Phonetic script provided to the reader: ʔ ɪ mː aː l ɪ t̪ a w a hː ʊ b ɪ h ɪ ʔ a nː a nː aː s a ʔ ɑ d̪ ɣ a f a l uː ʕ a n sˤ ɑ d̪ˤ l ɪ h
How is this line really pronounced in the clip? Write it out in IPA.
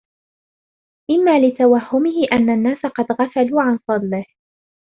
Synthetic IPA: ʔ ɪ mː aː l ɪ t̪ a w a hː ʊ m ɪ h ɪ ʔ a nː a nː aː s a q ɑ d̪ ɣ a f a l uː ʕ a n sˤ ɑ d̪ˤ l ɪ h